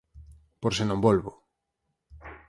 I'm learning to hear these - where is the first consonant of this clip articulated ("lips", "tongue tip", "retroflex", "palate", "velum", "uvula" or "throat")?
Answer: lips